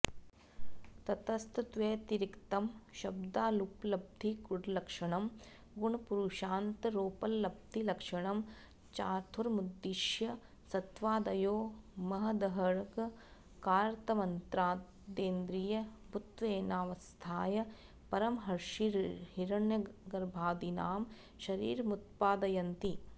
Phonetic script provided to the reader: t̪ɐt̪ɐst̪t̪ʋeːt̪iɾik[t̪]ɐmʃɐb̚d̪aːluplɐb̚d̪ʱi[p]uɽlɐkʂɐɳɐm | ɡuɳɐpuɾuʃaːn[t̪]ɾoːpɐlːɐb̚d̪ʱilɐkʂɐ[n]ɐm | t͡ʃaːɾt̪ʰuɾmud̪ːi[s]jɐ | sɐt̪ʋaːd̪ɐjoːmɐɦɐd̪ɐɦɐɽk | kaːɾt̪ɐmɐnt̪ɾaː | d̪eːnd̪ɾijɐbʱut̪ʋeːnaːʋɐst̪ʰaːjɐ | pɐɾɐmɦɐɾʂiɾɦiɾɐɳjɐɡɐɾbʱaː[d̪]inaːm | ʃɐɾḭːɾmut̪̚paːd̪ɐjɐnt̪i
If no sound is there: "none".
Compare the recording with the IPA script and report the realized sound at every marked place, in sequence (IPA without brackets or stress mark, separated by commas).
t̪, k, t̪, ɳ, ʃ, d̪